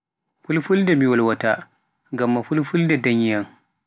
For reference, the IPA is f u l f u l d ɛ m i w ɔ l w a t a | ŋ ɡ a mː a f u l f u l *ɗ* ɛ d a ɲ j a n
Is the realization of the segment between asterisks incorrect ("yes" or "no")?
yes